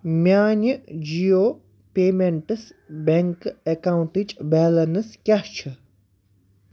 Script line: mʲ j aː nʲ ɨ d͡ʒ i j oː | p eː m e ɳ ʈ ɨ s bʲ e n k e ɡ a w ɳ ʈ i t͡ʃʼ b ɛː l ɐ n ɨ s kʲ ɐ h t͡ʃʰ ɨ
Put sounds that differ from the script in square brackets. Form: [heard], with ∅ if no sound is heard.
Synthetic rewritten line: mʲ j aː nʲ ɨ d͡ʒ i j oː | p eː m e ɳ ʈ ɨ s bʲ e [ŋ] k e [k] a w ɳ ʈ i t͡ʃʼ b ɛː l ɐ n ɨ s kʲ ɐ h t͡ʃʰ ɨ